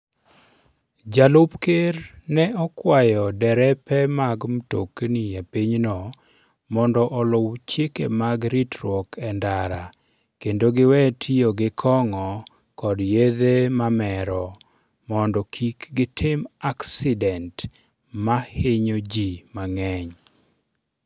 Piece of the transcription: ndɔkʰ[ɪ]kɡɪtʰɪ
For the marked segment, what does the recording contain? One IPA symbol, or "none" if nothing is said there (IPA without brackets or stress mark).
i